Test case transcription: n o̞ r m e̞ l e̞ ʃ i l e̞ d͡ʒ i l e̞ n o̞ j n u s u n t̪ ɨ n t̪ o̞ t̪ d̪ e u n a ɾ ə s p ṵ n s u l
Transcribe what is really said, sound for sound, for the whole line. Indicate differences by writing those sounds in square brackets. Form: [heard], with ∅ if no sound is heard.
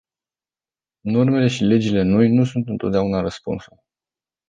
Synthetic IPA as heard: n o̞ r m e̞ l e̞ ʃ i l e̞ d͡ʒ i l e̞ n o̞ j n u s u n t̪ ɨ n t̪ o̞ t̪ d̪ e u n a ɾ ə s p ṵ n s u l